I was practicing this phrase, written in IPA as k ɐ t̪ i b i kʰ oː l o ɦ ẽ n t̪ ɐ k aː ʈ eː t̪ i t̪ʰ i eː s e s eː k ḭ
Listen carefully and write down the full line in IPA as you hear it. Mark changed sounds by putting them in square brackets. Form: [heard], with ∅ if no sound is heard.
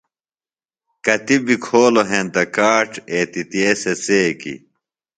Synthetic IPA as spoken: k ɐ t̪ i b i kʰ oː l o ɦ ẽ n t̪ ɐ k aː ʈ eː t̪ i [t̪] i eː s e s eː k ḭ